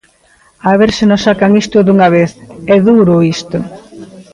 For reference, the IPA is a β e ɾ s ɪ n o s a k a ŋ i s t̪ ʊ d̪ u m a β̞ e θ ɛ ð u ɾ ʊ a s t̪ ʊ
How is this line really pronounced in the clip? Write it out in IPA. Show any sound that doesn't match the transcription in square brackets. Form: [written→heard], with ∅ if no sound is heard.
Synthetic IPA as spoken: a β e ɾ s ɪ n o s a k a ŋ i s t̪ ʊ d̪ u [m→ŋ] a β̞ e θ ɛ ð u ɾ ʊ [a→i] s t̪ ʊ